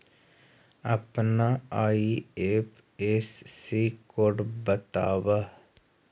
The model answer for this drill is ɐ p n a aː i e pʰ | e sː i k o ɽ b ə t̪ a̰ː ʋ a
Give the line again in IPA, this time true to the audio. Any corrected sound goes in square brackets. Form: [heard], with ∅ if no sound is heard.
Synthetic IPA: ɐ p n a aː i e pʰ | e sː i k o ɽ b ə t̪ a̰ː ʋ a